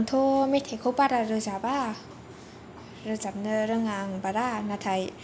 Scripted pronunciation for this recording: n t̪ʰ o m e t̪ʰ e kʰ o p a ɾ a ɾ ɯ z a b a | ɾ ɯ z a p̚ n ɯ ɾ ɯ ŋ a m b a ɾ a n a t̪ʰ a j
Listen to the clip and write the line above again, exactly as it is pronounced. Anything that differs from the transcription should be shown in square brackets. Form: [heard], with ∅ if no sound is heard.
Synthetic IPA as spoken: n t̪ʰ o m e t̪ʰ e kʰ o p a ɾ a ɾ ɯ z a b a | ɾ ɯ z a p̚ n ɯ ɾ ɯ ŋ a [ŋ] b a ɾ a n a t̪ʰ a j